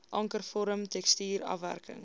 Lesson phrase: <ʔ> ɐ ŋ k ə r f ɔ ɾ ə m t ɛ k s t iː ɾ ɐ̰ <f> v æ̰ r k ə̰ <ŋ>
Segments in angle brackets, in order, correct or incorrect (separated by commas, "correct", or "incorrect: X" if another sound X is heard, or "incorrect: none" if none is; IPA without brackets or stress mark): correct, correct, correct